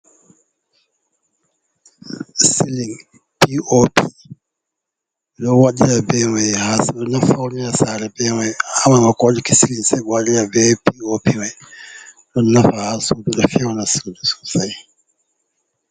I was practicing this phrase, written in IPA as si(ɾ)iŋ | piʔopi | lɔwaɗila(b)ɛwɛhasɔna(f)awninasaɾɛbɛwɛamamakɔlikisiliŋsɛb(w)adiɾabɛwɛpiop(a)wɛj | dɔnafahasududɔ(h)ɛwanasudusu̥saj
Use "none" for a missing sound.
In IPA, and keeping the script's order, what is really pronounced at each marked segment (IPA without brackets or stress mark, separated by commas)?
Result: l, b, f, w, i, f